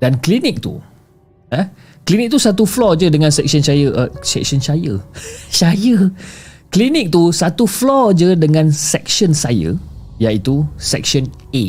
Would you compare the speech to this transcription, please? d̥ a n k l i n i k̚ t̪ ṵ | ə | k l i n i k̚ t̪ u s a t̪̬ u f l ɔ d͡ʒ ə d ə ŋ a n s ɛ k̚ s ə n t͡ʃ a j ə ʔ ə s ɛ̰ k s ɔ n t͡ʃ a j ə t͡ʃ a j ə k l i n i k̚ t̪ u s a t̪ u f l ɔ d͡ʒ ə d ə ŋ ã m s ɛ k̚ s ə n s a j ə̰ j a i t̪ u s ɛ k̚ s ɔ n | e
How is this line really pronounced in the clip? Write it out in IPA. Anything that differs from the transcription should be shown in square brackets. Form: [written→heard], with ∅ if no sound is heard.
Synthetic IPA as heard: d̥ a n k l i n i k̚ t̪ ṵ | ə | k l i n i k̚ t̪ u s a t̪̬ u f l ɔ d͡ʒ ə d ə ŋ a n s ɛ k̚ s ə n t͡ʃ a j ə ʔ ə s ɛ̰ k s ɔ n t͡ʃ a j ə t͡ʃ a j ə k l i n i k̚ t̪ u s a t̪ u f l ɔ d͡ʒ ə d ə ŋ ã [m→n] s ɛ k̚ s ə n s a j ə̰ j a i t̪ u s ɛ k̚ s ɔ n | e